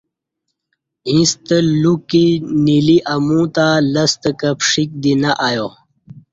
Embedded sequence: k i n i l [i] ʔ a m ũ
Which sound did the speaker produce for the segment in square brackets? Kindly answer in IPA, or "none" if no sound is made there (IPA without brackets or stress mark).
i